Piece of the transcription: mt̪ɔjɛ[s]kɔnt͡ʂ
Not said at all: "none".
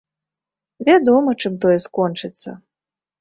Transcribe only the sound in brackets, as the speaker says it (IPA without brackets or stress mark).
s